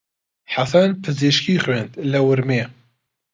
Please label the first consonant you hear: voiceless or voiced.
voiceless